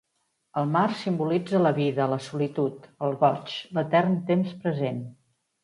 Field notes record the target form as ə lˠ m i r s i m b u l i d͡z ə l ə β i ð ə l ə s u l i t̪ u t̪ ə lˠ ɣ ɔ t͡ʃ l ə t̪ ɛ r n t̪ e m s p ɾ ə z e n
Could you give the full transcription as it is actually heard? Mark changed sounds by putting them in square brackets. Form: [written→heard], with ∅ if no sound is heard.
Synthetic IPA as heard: ə lˠ m [i→a] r s i m b u l i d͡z ə l ə β i ð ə l ə s u l i t̪ u t̪ ə lˠ ɣ ɔ t͡ʃ l ə t̪ ɛ r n t̪ e m s p ɾ ə z e n